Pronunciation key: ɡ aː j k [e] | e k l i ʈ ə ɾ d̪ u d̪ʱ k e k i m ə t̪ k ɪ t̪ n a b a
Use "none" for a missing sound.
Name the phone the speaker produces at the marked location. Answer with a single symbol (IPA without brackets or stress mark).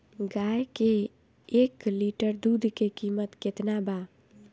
e